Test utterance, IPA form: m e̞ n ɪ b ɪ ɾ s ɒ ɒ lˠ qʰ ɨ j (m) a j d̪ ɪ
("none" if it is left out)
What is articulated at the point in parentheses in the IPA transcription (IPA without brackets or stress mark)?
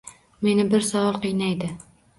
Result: n